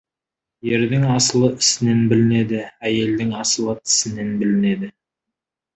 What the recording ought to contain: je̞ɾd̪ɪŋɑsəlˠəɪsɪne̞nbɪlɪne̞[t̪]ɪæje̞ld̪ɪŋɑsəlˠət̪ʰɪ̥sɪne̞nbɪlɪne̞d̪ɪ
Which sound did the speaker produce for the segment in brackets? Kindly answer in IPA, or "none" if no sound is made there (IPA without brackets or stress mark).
d̪